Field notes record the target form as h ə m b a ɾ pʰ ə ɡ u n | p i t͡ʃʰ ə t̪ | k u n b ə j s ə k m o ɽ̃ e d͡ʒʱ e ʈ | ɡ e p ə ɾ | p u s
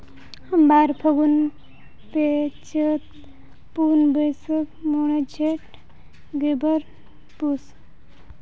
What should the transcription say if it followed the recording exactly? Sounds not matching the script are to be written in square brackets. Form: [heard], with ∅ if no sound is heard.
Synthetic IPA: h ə m b a ɾ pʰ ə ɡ u n | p [e] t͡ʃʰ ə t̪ | [p] u n b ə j s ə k m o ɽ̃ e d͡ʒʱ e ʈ | ɡ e [b] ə ɾ | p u s

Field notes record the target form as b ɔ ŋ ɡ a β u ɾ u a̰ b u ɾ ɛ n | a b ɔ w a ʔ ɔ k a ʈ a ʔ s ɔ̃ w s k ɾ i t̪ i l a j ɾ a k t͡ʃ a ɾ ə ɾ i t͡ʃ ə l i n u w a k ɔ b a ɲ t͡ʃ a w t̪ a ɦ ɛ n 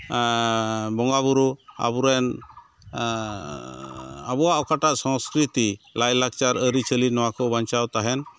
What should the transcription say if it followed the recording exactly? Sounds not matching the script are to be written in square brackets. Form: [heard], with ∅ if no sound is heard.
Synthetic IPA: b ɔ ŋ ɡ a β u ɾ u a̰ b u ɾ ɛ n | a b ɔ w a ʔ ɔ k a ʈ a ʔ s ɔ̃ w s k ɾ i t̪ i l a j [l] a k t͡ʃ a ɾ ə ɾ i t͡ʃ ə l i n [ɔ] w a k ɔ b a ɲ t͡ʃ a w t̪ a ɦ ɛ n

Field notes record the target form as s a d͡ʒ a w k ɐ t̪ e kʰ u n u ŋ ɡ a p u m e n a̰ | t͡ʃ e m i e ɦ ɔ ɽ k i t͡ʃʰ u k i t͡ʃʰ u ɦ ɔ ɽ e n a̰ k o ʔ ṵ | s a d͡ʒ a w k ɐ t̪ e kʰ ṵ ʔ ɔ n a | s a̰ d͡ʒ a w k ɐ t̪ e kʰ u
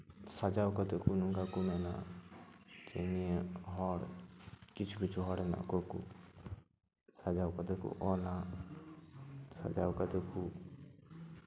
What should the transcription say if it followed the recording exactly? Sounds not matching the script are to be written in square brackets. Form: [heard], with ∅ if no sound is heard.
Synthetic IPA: s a d͡ʒ a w k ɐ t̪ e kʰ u n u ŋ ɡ a [k] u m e n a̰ | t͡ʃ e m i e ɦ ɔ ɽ k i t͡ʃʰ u k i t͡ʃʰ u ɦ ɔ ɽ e n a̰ k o [k] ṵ | s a d͡ʒ a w k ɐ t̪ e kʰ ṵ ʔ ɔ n a | s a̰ d͡ʒ a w k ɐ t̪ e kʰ u

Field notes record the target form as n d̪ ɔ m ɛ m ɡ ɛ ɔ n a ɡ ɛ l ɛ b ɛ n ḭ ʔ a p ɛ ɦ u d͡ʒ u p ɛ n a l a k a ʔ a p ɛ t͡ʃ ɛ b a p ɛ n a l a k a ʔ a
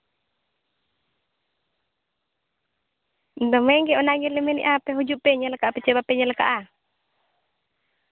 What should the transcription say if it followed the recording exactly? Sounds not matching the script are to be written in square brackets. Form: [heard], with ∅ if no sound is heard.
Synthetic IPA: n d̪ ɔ m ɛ [ŋ] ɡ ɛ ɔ n a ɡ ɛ l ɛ [m] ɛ n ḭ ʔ a p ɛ ɦ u d͡ʒ u p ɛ [ɲ] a l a k a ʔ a p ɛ t͡ʃ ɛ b a p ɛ [ɲ] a l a k a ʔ a

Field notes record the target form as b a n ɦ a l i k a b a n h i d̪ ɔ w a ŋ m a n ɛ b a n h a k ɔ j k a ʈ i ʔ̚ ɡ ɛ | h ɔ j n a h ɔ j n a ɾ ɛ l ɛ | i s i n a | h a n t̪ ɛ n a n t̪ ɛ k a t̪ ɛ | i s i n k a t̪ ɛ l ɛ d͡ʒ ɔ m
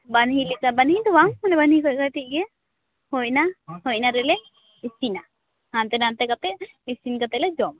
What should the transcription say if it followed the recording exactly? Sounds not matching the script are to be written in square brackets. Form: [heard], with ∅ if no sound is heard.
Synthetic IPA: b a n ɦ [i] l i k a b a n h i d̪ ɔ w a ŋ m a n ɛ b a n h [i] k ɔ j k a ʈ i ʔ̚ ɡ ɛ | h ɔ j n a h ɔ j n a ɾ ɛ l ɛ | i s i n a | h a n t̪ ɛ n a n t̪ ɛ k a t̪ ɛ | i s i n k a t̪ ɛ l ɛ d͡ʒ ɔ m

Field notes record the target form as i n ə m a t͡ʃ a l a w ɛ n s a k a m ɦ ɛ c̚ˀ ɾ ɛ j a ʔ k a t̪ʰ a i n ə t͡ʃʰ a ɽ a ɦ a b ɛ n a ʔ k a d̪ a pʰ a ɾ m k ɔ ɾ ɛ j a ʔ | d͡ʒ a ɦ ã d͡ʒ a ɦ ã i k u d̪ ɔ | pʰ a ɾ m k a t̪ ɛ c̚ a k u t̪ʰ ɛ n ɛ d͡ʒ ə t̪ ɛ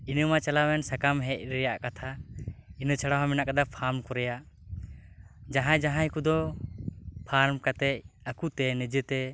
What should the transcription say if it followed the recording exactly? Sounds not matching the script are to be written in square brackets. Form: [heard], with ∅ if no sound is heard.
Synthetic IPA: i n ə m a t͡ʃ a l a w ɛ n s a k a m ɦ ɛ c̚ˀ ɾ ɛ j a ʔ k a t̪ʰ a i n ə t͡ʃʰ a ɽ a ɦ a [m] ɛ n a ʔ k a d̪ a pʰ a ɾ m k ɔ ɾ ɛ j a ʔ | d͡ʒ a ɦ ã d͡ʒ a ɦ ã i k u d̪ ɔ | pʰ a ɾ m k a t̪ ɛ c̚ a k u [t̪] ɛ n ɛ d͡ʒ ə t̪ ɛ

